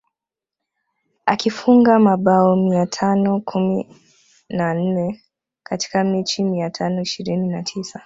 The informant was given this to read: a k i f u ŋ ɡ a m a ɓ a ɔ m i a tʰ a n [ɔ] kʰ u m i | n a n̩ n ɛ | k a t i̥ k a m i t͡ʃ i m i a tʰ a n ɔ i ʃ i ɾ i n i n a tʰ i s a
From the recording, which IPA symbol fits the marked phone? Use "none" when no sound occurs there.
ɔ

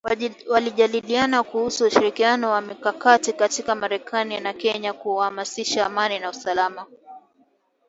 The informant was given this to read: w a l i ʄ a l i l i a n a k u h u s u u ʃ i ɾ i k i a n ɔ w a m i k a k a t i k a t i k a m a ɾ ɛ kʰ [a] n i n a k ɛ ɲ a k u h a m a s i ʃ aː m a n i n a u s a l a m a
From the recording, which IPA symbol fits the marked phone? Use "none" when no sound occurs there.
a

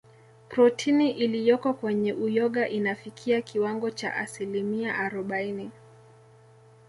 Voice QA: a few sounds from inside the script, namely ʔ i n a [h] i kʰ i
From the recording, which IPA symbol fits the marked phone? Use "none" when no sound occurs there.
f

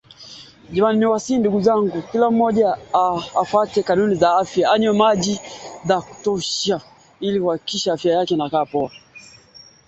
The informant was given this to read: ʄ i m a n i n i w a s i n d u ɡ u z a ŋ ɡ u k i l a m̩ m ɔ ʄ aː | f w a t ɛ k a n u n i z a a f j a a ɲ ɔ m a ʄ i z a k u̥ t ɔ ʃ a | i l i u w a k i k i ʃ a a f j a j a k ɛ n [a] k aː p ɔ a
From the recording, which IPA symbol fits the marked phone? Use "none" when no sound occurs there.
a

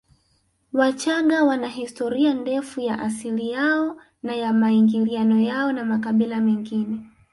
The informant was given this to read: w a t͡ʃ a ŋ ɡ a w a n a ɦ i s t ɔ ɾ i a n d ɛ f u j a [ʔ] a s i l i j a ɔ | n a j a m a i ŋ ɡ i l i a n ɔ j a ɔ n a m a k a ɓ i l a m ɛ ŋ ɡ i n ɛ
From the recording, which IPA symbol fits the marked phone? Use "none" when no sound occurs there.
ʔ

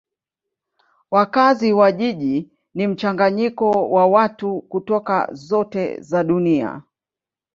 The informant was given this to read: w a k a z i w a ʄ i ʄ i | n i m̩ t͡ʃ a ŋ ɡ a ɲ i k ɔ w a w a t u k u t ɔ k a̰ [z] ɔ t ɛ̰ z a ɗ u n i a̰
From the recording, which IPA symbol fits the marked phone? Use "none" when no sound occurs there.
z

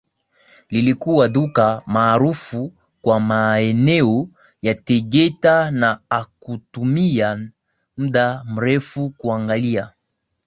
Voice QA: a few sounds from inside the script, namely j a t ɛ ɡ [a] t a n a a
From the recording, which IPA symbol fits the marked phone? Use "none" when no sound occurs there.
ɛ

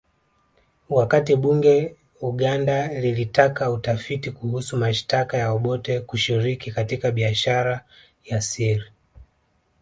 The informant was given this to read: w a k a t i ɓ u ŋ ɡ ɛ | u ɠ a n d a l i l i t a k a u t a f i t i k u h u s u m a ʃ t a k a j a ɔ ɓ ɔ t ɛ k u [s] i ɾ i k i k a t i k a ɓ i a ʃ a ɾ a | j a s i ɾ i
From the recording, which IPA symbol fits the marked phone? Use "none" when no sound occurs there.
ʃ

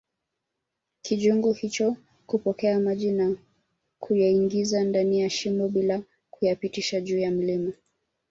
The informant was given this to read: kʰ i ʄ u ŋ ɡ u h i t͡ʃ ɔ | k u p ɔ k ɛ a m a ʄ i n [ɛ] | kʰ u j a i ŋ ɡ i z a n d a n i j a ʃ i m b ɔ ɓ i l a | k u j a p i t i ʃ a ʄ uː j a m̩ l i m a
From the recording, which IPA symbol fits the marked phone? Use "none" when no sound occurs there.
a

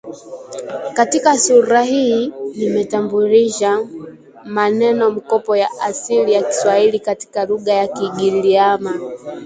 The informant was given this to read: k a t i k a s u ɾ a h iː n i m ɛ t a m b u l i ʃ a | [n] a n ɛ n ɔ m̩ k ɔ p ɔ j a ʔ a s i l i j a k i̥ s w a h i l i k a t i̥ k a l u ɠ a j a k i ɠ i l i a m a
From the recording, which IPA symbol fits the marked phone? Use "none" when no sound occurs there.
m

